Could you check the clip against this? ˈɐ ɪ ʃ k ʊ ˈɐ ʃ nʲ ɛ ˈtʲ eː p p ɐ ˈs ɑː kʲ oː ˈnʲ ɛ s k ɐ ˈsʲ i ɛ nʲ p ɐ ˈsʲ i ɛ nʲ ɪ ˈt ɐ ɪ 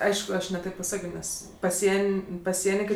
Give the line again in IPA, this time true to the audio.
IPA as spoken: ˈɐ ɪ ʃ k ʊ ˈɐ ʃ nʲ ɛ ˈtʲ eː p p ɐ ˈs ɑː kʲ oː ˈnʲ ɛ s p ɐ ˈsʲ i ɛ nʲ p ɐ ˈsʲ i ɛ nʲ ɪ ˈk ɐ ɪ

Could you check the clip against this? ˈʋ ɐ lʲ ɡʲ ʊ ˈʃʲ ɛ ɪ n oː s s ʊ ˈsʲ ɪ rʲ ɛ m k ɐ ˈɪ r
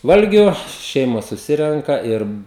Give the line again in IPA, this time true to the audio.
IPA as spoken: ˈʋ ɐ lʲ ɡʲ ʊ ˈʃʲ ɛ ɪ m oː s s ʊ ˈsʲ ɪ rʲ ɛ ŋ k ɐ ˈɪ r

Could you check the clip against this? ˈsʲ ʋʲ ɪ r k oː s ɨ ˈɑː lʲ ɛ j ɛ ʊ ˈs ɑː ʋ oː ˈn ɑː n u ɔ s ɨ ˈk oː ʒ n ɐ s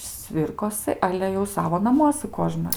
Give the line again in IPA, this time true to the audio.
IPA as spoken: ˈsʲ ʋʲ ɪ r k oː s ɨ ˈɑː lʲ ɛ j ɛ ʊ ˈs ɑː ʋ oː ˈn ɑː m u ɔ s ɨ ˈk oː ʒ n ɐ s

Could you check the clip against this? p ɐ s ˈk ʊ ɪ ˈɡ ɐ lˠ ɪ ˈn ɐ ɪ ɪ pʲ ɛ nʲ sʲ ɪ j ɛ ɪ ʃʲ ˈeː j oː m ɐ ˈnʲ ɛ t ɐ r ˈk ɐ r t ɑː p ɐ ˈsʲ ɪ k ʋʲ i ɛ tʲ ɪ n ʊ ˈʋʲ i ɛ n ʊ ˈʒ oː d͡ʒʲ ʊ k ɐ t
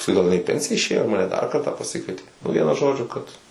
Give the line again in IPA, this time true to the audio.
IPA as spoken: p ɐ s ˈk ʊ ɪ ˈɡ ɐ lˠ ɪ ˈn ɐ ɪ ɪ pʲ ɛ nʲ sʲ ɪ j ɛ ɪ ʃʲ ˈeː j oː m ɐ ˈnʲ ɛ d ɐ r ˈk ɐ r t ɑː p ɐ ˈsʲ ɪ k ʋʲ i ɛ tʲ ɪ n ʊ ˈʋʲ i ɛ n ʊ ˈʒ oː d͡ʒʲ ʊ k ɐ t

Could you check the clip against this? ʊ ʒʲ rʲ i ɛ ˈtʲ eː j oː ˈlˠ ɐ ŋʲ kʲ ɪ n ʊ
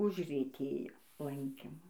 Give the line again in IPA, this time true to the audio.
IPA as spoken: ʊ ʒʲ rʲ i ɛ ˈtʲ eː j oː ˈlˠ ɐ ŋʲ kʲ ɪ m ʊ

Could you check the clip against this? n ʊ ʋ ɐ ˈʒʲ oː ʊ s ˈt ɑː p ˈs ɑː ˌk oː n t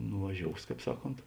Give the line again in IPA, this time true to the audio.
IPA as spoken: n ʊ ʋ ɐ ˈʒʲ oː ʊ s ˈk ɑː p ˈs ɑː ˌk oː n t

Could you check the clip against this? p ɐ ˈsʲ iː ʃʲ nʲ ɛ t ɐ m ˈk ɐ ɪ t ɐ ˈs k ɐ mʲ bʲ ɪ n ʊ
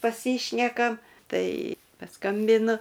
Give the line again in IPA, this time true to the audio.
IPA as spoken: p ɐ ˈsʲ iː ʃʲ nʲ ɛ k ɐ m ˈt ɐ ɪ p ɐ ˈs k ɐ mʲ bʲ ɪ n ʊ

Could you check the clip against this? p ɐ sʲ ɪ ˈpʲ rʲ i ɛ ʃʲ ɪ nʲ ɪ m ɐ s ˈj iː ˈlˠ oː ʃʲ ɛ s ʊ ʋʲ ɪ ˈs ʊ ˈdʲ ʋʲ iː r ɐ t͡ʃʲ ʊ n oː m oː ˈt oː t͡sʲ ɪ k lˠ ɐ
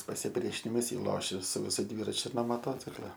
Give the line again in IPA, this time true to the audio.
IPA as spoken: p ɐ sʲ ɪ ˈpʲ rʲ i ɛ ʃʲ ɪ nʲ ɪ m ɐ s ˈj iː ˈlˠ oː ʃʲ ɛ s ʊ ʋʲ ɪ ˈs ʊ ˈdʲ ʋʲ iː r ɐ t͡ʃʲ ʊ n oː m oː ˈt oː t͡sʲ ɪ k lˠ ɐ

